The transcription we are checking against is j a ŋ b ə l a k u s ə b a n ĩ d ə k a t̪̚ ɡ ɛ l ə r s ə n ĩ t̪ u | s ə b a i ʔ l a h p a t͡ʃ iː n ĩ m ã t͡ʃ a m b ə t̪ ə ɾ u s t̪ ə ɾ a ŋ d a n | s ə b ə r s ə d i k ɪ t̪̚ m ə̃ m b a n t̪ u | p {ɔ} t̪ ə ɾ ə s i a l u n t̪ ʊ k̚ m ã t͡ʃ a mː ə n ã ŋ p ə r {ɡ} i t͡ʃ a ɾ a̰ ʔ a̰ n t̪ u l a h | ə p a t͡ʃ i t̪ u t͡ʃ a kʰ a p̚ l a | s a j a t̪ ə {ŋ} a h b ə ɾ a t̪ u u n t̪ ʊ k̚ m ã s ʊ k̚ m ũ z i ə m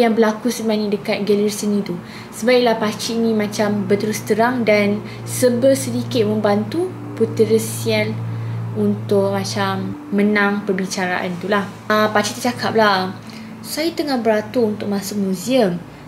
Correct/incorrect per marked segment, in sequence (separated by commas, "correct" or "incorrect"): incorrect, incorrect, correct